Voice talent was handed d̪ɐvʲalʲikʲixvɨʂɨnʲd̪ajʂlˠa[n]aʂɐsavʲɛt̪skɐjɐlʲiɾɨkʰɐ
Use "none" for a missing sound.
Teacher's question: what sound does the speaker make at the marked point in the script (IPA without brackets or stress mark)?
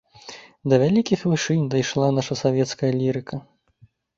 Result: n